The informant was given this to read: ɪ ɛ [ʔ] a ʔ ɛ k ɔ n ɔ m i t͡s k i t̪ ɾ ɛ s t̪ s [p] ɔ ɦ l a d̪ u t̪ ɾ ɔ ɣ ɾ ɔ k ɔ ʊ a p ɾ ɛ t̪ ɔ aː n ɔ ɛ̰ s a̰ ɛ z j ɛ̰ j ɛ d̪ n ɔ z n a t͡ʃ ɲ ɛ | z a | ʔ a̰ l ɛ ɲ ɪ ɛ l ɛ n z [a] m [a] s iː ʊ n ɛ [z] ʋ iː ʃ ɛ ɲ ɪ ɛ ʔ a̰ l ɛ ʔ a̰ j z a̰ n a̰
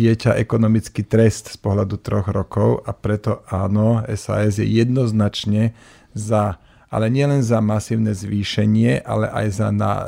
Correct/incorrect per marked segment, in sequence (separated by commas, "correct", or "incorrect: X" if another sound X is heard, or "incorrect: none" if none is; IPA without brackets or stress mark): incorrect: c, correct, correct, correct, correct